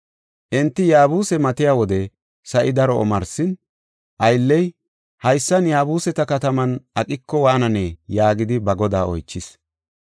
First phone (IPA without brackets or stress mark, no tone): ʔ